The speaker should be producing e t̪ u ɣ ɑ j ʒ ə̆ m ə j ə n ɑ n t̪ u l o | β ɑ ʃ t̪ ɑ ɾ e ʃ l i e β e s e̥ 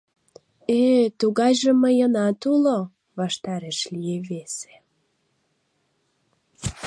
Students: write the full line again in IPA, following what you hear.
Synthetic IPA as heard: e t̪ u ɣ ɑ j ʒ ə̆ m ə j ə n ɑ t̪ u l o | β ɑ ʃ t̪ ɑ ɾ e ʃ l i e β e s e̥